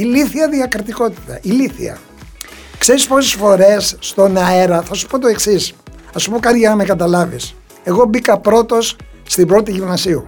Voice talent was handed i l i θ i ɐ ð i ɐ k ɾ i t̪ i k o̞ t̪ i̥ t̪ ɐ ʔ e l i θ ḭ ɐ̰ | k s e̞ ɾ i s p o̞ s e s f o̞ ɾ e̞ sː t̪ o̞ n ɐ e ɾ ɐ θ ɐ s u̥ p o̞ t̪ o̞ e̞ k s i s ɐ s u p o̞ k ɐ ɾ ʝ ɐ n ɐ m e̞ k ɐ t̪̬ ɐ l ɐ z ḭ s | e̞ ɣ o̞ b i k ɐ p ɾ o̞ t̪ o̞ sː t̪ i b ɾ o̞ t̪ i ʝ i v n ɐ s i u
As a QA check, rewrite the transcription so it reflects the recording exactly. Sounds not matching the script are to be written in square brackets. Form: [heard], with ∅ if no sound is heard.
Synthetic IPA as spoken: i l i θ i ɐ ð i ɐ k ɾ i t̪ i k o̞ t̪ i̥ t̪ ɐ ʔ [i] l i θ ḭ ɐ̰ | k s e̞ ɾ i s p o̞ s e s f o̞ ɾ e̞ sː t̪ o̞ n ɐ e ɾ ɐ θ ɐ s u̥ p o̞ t̪ o̞ e̞ k s i s ɐ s u p o̞ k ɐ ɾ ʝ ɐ n ɐ m e̞ k ɐ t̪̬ ɐ l ɐ [v] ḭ s | e̞ ɣ o̞ b i k ɐ p ɾ o̞ t̪ o̞ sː t̪ i b ɾ o̞ t̪ i ʝ i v n ɐ s i u